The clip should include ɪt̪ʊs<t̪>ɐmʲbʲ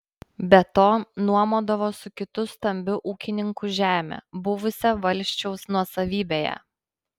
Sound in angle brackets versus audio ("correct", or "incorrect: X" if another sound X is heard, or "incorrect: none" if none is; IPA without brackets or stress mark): correct